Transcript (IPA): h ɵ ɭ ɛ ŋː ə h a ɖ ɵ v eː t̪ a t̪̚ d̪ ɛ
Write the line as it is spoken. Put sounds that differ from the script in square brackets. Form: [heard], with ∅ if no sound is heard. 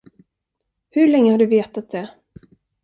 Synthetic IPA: h ɵ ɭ ɛ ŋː ə h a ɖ ɵ v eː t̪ a t̪̚ d̪ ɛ